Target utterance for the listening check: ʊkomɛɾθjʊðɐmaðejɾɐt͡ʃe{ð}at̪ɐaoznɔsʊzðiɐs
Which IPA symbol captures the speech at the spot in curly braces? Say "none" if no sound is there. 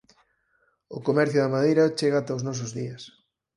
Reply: ɣ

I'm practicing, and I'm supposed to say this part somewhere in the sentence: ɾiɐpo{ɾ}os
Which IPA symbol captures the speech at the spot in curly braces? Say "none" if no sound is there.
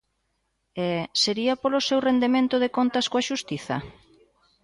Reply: l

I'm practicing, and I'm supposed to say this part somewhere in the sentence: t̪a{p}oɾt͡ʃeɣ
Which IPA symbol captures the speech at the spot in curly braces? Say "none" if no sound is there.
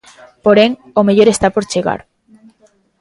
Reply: p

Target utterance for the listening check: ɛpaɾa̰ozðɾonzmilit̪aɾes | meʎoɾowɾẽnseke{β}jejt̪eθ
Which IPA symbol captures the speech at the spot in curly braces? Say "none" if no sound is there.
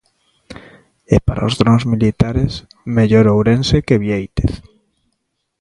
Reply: β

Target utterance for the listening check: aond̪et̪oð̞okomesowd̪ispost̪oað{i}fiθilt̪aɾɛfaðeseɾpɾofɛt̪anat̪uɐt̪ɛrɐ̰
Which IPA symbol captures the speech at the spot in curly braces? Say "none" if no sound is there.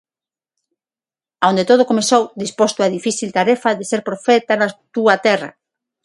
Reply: i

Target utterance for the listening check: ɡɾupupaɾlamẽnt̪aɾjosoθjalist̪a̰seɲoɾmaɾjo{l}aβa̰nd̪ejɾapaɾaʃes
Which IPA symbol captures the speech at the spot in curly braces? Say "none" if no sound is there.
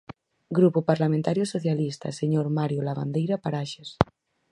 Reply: l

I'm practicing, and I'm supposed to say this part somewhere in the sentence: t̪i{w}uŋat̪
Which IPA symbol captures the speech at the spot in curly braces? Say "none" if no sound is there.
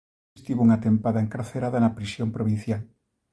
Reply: β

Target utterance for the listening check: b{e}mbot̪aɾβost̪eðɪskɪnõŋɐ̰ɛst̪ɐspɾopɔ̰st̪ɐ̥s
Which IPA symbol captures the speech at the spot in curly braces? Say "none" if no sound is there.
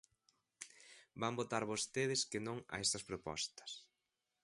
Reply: a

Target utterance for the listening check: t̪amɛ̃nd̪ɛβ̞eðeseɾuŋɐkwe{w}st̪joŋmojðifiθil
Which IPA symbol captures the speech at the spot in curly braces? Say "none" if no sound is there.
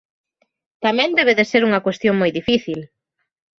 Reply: none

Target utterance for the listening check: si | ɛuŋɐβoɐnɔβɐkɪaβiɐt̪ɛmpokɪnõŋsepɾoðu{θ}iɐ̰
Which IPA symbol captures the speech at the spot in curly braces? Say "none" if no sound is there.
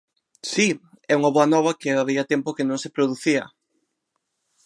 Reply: θ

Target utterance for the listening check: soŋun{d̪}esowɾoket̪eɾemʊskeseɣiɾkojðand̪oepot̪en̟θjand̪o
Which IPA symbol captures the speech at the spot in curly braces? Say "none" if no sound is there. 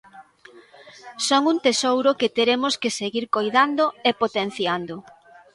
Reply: t̪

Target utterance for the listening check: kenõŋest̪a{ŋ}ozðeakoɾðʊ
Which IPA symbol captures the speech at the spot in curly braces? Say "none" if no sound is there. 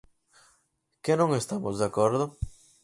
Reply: m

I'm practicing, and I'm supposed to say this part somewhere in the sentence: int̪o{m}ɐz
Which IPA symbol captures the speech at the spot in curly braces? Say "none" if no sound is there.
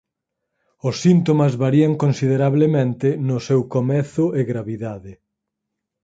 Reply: m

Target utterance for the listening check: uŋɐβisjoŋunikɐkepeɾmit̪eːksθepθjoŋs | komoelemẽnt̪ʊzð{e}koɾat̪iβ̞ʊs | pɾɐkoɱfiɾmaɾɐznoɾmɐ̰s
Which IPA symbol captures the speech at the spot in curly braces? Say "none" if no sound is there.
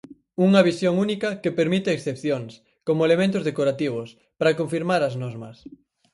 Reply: e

